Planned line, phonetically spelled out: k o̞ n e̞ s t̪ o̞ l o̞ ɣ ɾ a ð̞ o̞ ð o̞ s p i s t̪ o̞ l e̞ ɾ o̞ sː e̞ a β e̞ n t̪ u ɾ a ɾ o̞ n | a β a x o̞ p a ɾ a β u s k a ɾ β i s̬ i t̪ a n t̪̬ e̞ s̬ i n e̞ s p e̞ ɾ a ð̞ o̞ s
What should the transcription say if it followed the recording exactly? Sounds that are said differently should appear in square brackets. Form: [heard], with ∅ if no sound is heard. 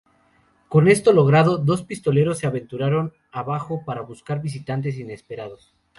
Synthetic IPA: k o̞ n e̞ s t̪ o̞ l o̞ ɣ ɾ a ð̞ o̞ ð o̞ s p i s t̪ o̞ l e̞ ɾ o̞ sː e̞ a β e̞ n t̪ u ɾ a ɾ o̞ n | a β a x o̞ p a ɾ a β u s k a ɾ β i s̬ i t̪ a n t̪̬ e̞ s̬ i n e̞ s p e̞ ɾ a ð̞ o̞ s